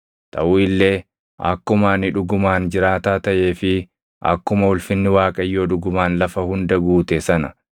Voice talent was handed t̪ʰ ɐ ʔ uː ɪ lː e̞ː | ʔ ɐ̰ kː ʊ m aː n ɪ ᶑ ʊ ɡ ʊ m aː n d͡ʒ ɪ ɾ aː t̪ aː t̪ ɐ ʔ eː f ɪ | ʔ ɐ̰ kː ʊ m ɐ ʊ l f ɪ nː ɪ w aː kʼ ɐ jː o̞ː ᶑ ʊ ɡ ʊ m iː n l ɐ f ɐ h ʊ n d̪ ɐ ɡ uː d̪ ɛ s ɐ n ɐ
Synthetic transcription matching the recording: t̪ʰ ɐ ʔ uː ɪ lː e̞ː | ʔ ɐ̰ kː ʊ m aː n ɪ ᶑ ʊ ɡ ʊ m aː n d͡ʒ ɪ ɾ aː t̪ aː t̪ ɐ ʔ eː f ɪ | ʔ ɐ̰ kː ʊ m ɐ ʊ l f ɪ nː ɪ w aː kʼ ɐ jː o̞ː ᶑ ʊ ɡ ʊ m aː n l ɐ f ɐ h ʊ n d̪ ɐ ɡ uː t̪ ɛ s ɐ n ɐ